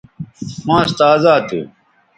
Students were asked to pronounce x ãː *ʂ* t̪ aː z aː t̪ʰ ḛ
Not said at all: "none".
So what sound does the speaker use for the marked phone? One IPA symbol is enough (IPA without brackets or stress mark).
s